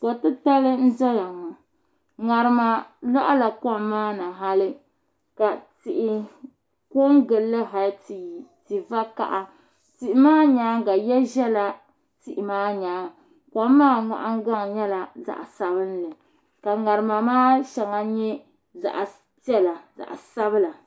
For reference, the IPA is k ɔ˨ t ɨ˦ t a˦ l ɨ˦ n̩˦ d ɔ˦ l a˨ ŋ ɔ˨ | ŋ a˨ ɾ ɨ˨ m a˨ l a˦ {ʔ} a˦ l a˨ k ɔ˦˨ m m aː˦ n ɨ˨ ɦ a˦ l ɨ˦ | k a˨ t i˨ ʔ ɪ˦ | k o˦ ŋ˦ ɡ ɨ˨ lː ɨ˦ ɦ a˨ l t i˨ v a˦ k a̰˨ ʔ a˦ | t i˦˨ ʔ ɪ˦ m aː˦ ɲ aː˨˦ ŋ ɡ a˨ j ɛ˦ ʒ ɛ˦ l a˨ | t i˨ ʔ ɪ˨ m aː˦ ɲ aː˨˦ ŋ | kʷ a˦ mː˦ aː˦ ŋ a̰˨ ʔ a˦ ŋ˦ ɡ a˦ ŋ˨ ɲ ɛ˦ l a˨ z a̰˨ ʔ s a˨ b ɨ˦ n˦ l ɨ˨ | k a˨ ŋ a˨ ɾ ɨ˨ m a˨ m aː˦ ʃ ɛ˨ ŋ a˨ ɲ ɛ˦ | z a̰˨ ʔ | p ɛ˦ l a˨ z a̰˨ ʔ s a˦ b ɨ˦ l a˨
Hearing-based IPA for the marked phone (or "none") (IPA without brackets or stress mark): ʔ